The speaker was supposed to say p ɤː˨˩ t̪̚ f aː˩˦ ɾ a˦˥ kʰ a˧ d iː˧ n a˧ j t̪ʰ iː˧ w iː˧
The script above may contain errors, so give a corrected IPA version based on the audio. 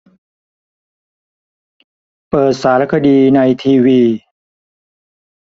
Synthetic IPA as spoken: p ɤː˨˩ t̪̚ s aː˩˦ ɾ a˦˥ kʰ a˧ d iː˧ n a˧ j t̪ʰ iː˧ w iː˧